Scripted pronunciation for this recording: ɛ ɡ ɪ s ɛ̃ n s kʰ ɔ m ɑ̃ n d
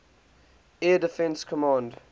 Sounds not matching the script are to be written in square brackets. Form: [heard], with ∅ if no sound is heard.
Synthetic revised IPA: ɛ [d] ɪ [f] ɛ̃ n s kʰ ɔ m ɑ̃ n d